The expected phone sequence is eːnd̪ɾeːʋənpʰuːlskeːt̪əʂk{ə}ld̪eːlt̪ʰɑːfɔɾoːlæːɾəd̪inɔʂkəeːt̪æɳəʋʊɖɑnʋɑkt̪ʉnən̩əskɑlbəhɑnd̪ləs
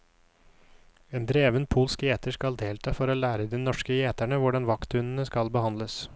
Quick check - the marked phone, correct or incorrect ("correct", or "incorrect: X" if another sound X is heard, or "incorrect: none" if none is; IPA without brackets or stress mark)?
incorrect: ɑ